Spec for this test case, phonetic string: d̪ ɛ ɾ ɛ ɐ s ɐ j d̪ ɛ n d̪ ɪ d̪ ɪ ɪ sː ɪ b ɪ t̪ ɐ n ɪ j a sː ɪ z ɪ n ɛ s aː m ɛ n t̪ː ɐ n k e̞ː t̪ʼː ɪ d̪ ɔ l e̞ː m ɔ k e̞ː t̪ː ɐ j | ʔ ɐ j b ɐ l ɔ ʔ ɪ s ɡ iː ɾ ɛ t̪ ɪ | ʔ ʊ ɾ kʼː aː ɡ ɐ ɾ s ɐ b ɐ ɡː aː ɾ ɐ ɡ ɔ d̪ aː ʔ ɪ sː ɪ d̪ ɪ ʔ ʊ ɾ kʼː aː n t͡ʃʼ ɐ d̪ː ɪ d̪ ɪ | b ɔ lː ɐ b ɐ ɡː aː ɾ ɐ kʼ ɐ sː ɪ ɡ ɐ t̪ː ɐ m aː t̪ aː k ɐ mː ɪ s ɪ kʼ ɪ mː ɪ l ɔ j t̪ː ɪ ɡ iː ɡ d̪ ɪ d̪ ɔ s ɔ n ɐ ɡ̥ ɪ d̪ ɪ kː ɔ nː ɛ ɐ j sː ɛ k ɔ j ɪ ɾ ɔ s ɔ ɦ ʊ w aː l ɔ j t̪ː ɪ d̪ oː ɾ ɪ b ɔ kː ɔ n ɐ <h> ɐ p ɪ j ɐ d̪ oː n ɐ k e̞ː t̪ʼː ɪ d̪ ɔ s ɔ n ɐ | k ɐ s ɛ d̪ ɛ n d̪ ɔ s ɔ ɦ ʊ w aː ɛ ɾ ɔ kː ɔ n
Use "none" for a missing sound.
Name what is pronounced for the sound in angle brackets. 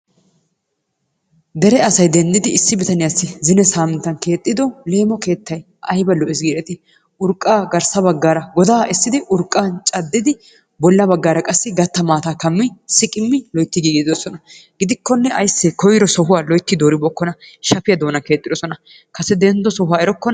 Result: ʃ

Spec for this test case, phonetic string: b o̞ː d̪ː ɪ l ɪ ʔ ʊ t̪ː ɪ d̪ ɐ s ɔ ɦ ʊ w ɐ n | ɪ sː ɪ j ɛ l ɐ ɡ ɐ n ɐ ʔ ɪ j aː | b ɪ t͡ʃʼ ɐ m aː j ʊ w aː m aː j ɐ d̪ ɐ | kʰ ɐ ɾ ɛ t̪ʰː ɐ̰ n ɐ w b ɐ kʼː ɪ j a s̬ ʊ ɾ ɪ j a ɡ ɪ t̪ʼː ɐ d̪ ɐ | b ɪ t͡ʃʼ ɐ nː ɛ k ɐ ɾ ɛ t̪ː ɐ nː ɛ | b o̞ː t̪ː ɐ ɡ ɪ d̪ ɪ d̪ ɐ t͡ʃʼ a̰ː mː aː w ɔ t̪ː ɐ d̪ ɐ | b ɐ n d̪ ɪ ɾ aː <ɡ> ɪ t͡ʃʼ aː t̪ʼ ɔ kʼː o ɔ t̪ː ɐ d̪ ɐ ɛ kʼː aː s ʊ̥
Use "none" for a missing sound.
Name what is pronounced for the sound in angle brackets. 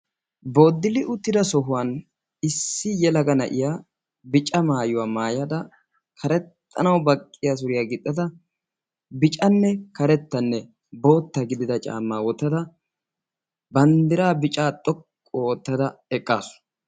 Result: b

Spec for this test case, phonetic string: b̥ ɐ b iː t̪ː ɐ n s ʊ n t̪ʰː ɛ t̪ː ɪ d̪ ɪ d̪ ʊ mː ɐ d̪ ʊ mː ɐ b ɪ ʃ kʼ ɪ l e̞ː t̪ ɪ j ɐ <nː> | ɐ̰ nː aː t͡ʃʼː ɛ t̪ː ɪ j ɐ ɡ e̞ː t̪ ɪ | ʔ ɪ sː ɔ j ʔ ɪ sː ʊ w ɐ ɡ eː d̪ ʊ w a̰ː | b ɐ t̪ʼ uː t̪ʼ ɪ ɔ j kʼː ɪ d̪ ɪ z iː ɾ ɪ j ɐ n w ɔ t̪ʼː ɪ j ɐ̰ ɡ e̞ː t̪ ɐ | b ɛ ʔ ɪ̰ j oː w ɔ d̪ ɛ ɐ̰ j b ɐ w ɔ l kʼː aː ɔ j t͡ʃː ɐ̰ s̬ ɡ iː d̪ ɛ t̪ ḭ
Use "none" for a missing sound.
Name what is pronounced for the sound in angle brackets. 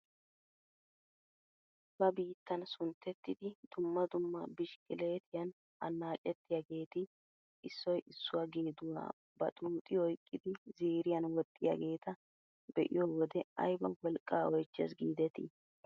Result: n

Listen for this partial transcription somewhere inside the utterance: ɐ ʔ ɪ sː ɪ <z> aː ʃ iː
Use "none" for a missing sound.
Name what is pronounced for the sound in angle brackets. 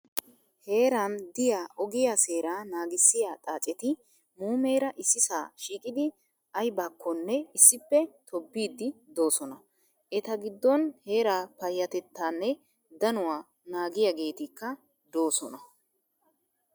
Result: s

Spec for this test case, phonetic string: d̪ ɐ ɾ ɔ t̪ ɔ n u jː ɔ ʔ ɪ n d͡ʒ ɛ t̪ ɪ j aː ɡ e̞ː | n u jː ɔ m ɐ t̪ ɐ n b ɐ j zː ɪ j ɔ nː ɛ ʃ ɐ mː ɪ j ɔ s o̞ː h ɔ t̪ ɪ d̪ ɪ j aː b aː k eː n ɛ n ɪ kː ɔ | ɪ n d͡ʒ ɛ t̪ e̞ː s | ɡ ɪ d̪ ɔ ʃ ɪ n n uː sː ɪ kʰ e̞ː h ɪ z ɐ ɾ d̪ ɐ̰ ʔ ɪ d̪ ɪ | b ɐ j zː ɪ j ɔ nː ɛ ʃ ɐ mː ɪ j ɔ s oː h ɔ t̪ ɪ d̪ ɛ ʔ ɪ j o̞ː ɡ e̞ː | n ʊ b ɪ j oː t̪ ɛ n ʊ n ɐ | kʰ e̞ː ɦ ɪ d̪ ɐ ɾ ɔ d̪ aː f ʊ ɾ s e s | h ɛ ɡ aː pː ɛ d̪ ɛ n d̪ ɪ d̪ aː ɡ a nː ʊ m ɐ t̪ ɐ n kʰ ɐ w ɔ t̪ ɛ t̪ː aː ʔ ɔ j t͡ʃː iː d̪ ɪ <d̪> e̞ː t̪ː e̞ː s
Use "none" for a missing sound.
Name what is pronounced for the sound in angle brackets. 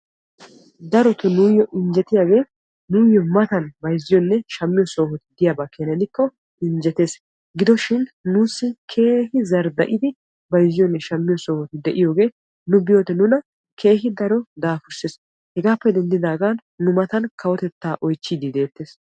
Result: d̪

